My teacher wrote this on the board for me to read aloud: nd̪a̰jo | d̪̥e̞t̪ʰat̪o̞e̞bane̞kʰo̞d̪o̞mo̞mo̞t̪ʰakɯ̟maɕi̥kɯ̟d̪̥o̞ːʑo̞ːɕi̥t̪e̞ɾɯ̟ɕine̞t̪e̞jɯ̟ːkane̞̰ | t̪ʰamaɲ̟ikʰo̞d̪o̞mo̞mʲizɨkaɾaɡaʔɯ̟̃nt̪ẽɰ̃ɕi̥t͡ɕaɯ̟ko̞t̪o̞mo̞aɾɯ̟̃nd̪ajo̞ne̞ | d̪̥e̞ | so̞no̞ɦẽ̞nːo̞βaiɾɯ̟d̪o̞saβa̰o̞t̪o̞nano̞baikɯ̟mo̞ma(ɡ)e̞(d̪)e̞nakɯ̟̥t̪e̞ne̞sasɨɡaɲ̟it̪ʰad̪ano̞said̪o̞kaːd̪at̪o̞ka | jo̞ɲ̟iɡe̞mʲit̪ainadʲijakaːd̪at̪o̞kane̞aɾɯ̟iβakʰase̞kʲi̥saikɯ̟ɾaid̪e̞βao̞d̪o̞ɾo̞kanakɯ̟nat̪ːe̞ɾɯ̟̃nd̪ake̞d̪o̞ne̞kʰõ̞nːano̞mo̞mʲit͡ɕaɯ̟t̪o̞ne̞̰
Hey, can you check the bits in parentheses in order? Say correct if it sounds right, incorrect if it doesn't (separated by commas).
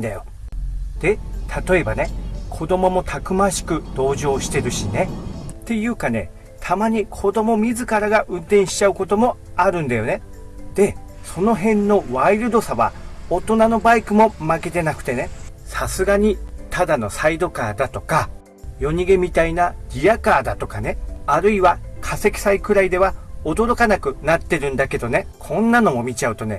incorrect, incorrect